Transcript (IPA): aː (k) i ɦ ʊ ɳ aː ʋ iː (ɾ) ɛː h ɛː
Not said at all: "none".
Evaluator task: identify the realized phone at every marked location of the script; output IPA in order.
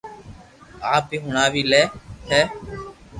p, l

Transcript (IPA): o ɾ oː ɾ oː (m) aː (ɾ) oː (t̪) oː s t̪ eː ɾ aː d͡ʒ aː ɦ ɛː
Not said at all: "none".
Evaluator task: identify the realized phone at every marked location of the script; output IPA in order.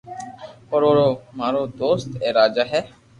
m, ɾ, d̪

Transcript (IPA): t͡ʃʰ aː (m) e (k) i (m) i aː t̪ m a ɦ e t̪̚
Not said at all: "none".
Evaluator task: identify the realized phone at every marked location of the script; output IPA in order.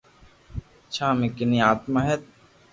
m, k, n

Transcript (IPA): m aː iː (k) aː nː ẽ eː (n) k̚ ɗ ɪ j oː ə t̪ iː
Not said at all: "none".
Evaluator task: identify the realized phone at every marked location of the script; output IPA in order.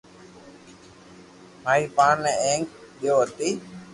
p, ŋ

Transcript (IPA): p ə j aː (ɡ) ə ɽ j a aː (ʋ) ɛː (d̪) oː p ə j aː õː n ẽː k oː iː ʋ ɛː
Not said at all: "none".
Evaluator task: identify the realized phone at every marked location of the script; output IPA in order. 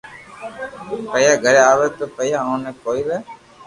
ɡ, ʋ, t̪

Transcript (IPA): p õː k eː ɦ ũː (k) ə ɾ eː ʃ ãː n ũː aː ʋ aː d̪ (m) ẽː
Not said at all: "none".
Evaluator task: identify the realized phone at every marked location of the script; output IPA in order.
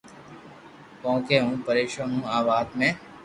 p, m

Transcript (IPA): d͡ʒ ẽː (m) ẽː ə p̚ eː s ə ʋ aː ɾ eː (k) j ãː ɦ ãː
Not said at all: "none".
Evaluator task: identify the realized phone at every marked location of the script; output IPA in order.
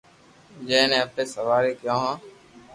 n, k

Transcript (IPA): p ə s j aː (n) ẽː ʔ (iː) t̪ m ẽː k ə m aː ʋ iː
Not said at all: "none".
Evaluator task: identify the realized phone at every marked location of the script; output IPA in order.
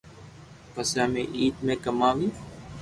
m, iː

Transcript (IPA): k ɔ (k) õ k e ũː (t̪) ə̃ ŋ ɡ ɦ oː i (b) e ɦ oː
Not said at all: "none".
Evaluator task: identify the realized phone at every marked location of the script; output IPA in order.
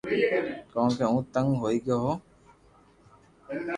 none, t̪, ɡ

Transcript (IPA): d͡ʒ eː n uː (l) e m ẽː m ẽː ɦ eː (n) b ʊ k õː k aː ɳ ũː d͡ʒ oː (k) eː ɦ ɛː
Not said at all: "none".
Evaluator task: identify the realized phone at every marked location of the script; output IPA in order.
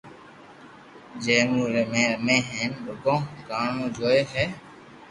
ɾ, n, none

